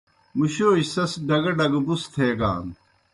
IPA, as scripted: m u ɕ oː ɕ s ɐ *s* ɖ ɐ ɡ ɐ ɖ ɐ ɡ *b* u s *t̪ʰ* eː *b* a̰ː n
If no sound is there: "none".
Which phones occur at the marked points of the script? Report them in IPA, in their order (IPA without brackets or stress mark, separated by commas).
s, b, t̪ʰ, ɡ